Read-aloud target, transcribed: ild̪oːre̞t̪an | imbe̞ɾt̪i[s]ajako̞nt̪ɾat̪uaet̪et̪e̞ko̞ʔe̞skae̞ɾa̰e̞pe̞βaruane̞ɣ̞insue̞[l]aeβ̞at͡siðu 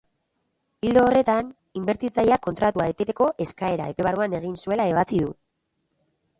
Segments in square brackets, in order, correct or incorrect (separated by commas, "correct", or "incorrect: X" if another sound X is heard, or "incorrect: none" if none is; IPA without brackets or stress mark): incorrect: t͡s, correct